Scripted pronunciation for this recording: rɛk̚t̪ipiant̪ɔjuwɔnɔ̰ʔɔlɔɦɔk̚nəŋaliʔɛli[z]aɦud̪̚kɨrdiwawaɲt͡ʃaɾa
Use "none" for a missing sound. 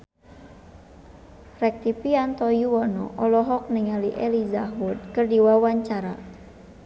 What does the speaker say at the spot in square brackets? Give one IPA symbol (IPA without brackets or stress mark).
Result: z